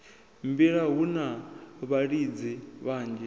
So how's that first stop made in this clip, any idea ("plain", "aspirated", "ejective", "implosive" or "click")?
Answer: plain